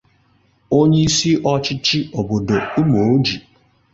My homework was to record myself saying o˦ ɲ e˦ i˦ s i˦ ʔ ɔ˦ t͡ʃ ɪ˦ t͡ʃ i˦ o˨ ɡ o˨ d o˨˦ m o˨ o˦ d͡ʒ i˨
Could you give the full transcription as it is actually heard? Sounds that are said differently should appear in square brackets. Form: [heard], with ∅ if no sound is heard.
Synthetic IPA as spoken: o˦ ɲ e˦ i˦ s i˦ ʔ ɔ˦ t͡ʃ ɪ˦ t͡ʃ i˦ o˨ [b] o˨ d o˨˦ m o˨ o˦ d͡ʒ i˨